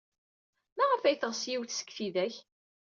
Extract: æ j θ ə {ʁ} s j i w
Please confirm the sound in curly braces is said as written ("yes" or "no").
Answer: yes